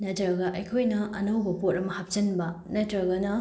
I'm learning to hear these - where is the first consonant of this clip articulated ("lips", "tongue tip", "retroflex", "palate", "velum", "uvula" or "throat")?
tongue tip